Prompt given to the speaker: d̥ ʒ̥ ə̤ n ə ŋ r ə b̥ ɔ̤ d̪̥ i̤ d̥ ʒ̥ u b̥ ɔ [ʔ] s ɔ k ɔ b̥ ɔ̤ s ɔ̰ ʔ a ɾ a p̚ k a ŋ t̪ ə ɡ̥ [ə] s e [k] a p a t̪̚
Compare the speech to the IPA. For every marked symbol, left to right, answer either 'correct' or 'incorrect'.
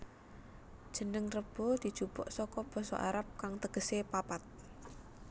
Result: correct, correct, incorrect

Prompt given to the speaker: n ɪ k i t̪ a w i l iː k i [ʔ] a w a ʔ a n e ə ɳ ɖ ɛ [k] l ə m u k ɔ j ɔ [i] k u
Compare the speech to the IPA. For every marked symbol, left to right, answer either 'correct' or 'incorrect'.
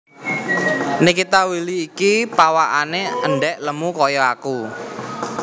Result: incorrect, incorrect, incorrect

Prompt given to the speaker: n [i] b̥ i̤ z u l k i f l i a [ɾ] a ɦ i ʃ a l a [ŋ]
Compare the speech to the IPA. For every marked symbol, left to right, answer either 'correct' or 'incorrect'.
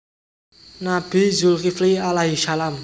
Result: incorrect, incorrect, incorrect

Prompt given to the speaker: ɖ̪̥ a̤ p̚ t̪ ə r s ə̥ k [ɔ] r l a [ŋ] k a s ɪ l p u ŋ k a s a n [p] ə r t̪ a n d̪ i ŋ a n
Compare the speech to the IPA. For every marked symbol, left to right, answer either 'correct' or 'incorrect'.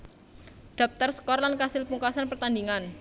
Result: correct, incorrect, correct

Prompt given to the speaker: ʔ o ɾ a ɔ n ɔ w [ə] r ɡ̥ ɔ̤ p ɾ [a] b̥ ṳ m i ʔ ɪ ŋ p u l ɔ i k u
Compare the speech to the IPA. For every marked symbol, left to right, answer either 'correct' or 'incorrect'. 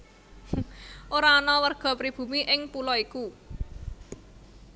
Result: correct, incorrect

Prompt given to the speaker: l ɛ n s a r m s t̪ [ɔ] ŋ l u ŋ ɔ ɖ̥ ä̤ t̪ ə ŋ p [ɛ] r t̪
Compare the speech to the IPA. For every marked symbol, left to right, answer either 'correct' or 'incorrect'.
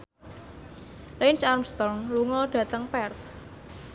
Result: correct, correct

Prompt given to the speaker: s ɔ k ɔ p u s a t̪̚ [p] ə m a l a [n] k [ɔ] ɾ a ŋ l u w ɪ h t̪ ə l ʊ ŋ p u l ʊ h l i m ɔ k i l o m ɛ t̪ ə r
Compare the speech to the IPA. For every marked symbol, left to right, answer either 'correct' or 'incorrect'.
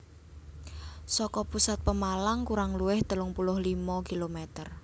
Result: correct, incorrect, incorrect

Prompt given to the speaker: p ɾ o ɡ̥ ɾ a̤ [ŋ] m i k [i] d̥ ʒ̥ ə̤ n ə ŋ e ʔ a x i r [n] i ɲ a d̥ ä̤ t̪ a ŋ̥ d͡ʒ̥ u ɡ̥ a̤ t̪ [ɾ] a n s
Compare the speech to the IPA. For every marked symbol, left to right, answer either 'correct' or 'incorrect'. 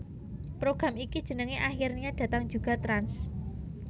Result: incorrect, correct, correct, correct

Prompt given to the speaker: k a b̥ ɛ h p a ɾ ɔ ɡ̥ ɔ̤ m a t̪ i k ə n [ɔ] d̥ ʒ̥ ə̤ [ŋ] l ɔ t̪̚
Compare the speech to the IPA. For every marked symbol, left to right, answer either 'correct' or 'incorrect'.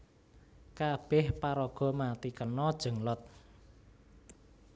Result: correct, correct

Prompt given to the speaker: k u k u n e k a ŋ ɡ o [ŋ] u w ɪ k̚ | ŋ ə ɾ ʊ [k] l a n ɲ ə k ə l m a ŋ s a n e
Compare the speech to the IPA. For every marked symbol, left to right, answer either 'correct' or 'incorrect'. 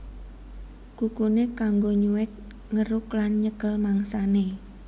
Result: incorrect, correct

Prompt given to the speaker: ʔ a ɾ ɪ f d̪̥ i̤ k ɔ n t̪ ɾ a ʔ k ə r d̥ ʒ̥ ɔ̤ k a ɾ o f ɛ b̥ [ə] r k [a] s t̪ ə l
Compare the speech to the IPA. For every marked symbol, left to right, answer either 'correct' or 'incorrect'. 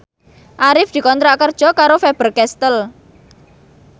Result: correct, incorrect

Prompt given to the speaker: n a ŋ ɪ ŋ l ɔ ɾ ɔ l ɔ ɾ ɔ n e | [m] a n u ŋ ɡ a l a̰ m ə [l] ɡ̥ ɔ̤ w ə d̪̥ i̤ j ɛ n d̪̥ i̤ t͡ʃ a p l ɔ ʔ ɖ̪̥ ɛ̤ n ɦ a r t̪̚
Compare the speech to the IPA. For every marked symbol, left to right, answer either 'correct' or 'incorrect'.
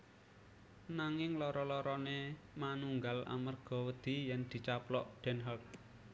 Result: correct, incorrect

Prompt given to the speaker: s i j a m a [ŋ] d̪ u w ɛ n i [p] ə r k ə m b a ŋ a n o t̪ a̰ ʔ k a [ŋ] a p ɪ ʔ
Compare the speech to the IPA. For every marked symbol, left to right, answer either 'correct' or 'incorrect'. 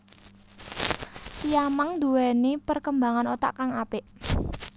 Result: correct, correct, correct

